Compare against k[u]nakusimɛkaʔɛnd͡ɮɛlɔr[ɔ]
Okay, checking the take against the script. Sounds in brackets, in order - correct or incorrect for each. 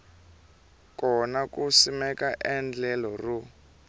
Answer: incorrect: ɔ, incorrect: u

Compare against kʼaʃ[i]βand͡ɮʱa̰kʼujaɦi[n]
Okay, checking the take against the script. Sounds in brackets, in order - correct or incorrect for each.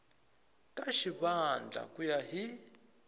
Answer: correct, incorrect: none

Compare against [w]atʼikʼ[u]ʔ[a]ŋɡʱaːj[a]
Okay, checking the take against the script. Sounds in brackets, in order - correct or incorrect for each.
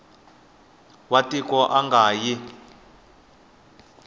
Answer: correct, incorrect: ɔ, correct, incorrect: i

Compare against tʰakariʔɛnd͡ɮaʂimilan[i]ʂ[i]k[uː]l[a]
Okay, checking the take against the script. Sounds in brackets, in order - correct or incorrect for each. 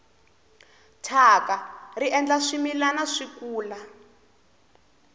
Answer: incorrect: a, correct, correct, correct

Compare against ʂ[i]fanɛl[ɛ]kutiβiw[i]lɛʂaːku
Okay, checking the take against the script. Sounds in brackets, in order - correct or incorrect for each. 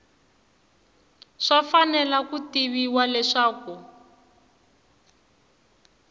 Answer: incorrect: a, incorrect: a, incorrect: a

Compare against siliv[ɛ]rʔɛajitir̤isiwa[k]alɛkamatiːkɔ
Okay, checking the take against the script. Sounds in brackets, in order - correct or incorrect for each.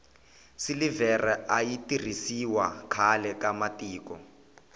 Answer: correct, incorrect: kʰ

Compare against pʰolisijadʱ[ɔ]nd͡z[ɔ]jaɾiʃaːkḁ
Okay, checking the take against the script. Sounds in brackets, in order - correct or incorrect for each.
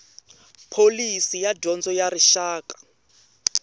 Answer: correct, correct

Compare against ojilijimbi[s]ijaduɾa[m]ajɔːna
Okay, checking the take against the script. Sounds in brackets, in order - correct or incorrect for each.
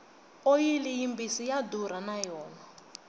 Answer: correct, incorrect: n

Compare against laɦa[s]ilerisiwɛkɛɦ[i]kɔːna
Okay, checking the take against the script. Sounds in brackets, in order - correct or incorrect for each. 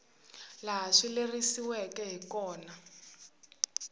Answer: incorrect: ʂ, correct

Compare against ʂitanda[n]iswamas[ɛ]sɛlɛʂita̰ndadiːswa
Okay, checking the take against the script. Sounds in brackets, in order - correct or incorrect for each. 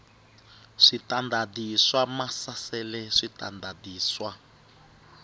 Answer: incorrect: d, incorrect: a

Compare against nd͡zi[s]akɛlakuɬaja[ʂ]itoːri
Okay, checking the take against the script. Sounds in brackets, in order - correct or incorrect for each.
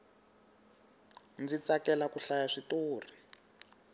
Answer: incorrect: t͡s, correct

